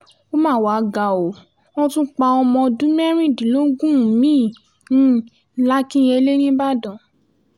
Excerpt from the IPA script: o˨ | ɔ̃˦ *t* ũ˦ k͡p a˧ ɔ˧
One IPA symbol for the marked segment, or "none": t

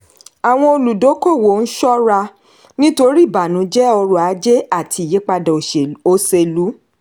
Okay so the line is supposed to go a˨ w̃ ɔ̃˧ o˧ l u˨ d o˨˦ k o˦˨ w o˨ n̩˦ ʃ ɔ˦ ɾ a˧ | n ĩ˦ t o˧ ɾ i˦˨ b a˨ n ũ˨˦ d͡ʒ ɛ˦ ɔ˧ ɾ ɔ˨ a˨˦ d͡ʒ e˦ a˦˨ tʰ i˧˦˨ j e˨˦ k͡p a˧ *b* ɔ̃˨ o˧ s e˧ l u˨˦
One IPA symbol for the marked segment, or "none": d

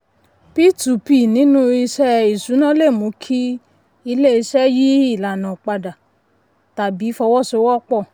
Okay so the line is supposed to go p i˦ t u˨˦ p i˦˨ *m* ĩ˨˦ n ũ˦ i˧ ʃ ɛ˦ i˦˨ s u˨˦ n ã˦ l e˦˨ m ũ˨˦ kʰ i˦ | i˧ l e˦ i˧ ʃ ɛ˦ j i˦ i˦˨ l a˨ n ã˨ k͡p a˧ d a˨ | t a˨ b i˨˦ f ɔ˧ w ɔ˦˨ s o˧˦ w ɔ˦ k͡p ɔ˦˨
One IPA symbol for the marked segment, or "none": n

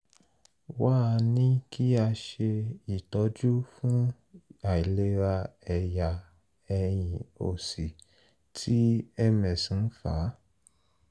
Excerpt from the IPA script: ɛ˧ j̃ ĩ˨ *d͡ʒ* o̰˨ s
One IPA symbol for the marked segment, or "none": none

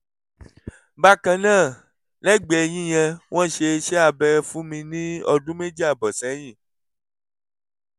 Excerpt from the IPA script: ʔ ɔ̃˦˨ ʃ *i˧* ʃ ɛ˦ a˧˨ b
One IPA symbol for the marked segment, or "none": e˧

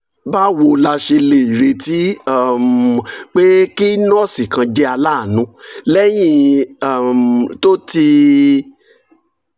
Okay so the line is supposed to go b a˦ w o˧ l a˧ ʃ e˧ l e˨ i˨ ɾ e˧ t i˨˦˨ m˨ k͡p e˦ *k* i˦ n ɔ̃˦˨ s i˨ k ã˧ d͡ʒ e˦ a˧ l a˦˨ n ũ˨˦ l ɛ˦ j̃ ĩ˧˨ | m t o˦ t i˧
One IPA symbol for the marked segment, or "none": k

